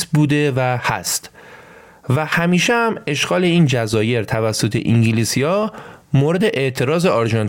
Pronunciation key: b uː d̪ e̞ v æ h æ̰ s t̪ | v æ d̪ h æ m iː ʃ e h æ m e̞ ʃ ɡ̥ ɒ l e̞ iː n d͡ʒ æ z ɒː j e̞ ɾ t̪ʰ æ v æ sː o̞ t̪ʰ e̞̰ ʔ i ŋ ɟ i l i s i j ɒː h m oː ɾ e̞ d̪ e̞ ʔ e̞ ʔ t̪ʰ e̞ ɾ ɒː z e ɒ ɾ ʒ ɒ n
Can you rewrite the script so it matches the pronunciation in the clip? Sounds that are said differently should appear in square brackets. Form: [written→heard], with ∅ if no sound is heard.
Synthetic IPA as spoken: b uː d̪ e̞ v æ h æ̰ s t̪ | v æ [d̪→∅] h æ m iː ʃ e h æ m e̞ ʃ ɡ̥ [ɒ→ɒː] l e̞ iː n d͡ʒ æ z ɒː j e̞ ɾ t̪ʰ æ v æ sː o̞ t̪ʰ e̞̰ ʔ i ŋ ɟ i l i s i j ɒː [h→∅] m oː ɾ e̞ d̪ e̞ ʔ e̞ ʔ t̪ʰ e̞ ɾ ɒː z e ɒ ɾ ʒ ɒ n